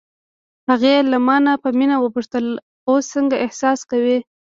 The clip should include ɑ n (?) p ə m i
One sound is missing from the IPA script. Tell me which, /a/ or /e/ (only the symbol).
a